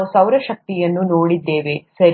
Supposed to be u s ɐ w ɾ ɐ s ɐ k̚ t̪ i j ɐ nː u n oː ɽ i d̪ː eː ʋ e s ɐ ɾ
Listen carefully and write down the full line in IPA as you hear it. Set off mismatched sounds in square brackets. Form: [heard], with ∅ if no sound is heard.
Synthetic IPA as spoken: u s ɐ w ɾ ɐ [ʃ] ɐ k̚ t̪ i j ɐ nː u n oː ɽ i d̪ː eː ʋ e s ɐ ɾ